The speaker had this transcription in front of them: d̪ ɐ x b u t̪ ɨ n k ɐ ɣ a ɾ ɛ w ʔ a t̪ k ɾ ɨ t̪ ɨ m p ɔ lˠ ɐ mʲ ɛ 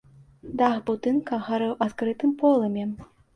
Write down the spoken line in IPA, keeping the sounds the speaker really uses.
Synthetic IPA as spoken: d̪ a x b u t̪ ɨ n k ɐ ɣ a ɾ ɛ w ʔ a t̪ k ɾ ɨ t̪ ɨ m p ɔ lˠ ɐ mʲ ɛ

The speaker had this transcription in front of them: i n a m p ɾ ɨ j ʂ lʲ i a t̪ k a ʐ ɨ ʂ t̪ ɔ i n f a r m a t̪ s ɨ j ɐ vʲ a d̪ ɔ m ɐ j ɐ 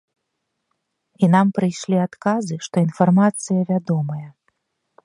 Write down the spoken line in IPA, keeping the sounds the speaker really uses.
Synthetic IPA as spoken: i n a m p ɾ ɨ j ʂ lʲ i a t̪ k a z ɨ ʂ t̪ ɔ i n f a r m a t̪ s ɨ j ɐ vʲ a d̪ ɔ m ɐ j ɐ

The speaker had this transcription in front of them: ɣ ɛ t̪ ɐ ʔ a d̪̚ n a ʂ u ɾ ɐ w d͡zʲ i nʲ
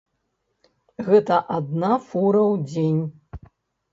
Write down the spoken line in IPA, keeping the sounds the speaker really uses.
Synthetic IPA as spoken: ɣ ɛ t̪ ɐ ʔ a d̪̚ n a f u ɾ ɐ w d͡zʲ e nʲ

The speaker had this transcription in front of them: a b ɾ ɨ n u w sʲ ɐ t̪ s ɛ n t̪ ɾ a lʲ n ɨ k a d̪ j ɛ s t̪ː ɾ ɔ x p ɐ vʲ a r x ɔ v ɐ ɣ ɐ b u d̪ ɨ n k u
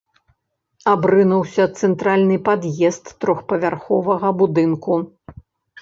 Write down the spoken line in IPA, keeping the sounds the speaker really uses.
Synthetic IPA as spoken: a b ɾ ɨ n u w sʲ ɐ t̪ s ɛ n t̪ ɾ a lʲ n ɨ p a d̪ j ɛ s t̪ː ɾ ɔ x p ɐ vʲ a r x ɔ v ɐ ɣ ɐ b u d̪ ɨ n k u

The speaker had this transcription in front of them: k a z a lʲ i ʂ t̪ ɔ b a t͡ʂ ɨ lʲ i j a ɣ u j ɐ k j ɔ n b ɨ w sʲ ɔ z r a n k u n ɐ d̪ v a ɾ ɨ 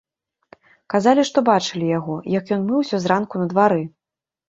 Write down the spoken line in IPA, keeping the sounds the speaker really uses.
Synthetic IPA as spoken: k a z a lʲ i ʂ t̪ ɔ b a t͡ʂ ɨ lʲ i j a ɣ ɔ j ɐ k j ɔ n m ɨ w sʲ ɔ z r a n k u n ɐ d̪ v a ɾ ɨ

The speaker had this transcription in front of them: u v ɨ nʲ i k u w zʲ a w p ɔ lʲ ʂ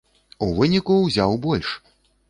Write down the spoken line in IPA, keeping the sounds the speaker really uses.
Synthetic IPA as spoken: u v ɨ nʲ i k u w zʲ a w b ɔ lʲ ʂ

